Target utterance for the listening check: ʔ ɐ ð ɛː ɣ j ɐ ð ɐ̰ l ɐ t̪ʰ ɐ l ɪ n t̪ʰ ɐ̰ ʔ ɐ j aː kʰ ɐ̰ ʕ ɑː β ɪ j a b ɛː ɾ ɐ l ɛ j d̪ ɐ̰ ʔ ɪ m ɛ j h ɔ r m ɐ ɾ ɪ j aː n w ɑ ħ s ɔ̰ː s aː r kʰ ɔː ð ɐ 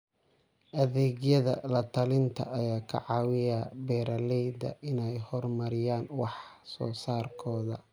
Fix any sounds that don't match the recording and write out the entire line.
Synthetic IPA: ʔ ɐ ð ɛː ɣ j ɐ ð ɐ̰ l ɐ t̪ʰ ɐ l ɪ n t̪ʰ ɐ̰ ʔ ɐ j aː kʰ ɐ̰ ʕ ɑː w ɪ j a b ɛː ɾ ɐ l ɛ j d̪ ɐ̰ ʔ ɪ n ɛ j h ɔ r m ɐ ɾ ɪ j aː n w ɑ ħ s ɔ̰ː s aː r kʰ ɔː ð ɐ